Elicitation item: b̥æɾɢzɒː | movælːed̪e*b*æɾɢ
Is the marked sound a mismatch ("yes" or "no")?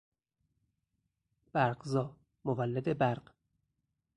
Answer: no